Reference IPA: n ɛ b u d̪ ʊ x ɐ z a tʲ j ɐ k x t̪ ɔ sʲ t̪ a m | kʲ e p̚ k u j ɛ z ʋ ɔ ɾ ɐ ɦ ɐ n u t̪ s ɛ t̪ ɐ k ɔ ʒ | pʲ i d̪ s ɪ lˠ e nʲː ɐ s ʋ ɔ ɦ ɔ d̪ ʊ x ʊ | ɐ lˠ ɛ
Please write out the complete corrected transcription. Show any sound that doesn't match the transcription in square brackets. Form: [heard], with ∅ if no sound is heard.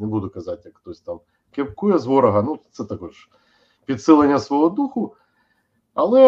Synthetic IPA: n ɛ b u d̪ ʊ [k] ɐ z a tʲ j ɐ k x t̪ ɔ sʲ t̪ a m | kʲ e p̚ k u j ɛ z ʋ ɔ ɾ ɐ ɦ ɐ n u t̪ s ɛ t̪ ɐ k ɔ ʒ | pʲ i d̪ s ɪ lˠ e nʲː ɐ s ʋ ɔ ɦ ɔ d̪ [u] x ʊ | ɐ lˠ ɛ